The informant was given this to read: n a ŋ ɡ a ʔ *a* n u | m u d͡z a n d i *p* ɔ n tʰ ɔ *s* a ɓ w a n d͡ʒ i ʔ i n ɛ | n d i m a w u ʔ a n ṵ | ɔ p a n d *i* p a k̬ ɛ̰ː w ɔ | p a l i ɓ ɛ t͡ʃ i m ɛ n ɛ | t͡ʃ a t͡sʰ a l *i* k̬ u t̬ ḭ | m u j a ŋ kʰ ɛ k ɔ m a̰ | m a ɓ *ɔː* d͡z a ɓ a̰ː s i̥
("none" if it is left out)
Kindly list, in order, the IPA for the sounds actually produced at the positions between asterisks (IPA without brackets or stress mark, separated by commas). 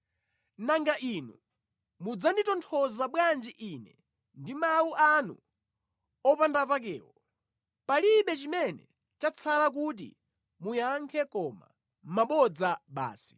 i, t, z, a, a, ɔ